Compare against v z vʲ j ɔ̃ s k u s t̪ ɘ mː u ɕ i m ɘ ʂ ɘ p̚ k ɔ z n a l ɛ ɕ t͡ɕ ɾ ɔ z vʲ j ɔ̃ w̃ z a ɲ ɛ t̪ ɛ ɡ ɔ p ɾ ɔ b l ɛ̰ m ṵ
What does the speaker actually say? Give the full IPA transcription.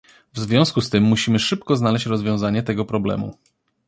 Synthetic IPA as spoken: v z vʲ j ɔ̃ s k u s t̪ ɘ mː u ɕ i m ɘ ʂ ɘ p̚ k ɔ z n a l ɛ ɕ t͡ɕ ɾ ɔ z vʲ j ɔ̃ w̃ z a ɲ ɛ t̪ ɛ ɡ ɔ p ɾ ɔ b l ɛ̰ m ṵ